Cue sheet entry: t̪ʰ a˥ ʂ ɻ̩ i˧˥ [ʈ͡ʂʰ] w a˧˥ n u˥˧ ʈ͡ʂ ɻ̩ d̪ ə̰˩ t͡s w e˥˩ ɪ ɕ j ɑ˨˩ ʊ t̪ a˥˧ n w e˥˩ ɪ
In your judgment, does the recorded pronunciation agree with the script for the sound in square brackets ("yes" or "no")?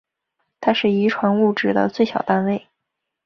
yes